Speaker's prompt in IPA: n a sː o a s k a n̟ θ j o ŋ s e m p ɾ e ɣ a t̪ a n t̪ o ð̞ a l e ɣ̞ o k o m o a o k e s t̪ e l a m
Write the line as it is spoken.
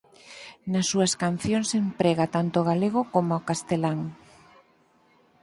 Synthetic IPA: n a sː u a s k a n̟ θ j o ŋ s e m p ɾ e ɣ a t̪ a n t̪ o ɣ̞ a l e ɣ̞ o k o m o a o k a s t̪ e l a ŋ